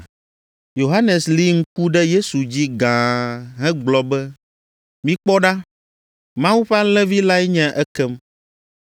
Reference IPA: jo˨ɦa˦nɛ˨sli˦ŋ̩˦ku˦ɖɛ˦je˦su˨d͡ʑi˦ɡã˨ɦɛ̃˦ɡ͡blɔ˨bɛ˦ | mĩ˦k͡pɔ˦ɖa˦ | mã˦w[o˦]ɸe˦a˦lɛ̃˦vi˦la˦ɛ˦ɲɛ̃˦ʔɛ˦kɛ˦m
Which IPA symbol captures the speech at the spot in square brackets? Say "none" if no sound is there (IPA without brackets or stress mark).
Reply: u˦